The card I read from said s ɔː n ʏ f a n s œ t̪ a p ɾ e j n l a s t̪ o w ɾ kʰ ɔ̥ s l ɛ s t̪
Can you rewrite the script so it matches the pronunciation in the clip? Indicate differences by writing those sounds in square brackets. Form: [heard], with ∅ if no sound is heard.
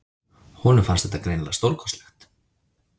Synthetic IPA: [h] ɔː n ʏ f a n s [ɛ] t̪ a [k] ɾ e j n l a s t̪ o w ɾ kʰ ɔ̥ s l ɛ [x] t̪